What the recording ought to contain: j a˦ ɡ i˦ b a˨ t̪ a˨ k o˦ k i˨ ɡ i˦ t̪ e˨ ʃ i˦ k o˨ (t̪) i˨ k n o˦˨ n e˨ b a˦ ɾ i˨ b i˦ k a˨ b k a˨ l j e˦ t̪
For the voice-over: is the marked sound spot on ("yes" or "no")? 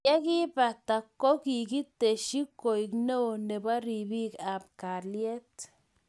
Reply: no